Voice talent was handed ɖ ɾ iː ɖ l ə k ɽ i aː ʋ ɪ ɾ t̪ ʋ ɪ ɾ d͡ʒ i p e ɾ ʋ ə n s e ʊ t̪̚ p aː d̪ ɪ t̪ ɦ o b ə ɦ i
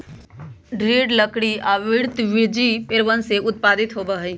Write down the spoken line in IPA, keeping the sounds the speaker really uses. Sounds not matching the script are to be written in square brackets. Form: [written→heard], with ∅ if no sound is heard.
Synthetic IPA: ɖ ɾ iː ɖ l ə k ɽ i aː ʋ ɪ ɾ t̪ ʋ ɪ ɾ d͡ʒ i p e ɾ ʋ ə n s e ʊ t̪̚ p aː d̪ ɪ t̪ ɦ o b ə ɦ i